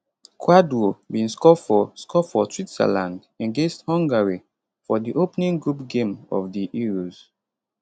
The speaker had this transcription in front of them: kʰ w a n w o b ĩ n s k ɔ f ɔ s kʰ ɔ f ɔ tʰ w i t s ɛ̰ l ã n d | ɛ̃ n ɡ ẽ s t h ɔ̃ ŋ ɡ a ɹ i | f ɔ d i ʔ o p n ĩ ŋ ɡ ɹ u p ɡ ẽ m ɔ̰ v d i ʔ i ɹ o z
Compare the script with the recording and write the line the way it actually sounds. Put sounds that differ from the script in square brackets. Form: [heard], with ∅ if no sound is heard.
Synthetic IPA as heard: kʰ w a [d] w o b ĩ n s k ɔ f ɔ s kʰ ɔ f ɔ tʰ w i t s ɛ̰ l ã n d | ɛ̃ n ɡ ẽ s t h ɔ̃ ŋ ɡ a ɹ i | f ɔ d i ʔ o p n ĩ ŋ ɡ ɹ u p ɡ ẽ m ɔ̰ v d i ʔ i ɹ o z